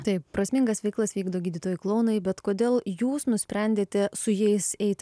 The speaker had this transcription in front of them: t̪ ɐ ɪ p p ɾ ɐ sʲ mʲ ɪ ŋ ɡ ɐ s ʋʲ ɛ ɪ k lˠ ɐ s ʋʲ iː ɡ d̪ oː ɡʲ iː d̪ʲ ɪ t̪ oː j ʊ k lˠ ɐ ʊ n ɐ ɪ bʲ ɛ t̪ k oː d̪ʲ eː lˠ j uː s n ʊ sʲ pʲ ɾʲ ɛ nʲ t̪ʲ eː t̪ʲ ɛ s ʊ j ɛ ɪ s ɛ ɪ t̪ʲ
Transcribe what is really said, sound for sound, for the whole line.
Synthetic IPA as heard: t̪ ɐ ɪ p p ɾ ɐ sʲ mʲ ɪ ŋ ɡ ɐ s ʋʲ ɛ ɪ k lˠ ɐ s ʋʲ iː ɡ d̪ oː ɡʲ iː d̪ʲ ɪ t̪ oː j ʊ k lˠ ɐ ʊ n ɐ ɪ bʲ ɛ t̪ k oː d̪ʲ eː lˠ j uː s n ʊ sʲ pʲ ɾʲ ɛ nʲ d̪ʲ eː t̪ʲ ɛ s ʊ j ɛ ɪ s ɛ ɪ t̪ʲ